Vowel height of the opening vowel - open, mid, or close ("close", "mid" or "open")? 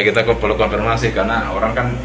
close